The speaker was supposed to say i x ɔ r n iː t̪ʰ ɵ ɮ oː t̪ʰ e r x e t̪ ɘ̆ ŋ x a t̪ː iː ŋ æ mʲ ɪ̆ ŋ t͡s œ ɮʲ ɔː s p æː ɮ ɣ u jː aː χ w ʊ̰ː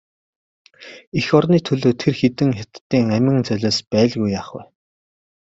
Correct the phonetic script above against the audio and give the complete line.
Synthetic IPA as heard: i x ɔ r n iː t̪ʰ ɵ ɮ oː t̪ʰ e r x e t̪ ɘ̆ ŋ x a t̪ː iː ŋ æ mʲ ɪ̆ ŋ t͡s œ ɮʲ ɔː s p æː ɮ ɣ u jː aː χ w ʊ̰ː